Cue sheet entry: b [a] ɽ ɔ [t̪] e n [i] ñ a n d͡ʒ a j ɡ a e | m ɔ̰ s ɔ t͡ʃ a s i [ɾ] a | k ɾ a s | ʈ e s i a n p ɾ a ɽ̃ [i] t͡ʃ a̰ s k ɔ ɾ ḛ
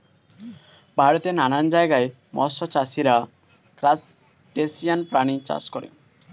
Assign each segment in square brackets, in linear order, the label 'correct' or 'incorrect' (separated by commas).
correct, correct, incorrect, correct, correct